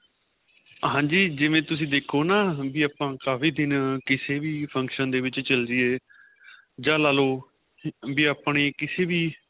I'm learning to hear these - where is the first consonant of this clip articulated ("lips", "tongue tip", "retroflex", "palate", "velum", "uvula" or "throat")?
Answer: throat